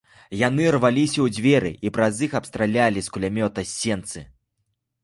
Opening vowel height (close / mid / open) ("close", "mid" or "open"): open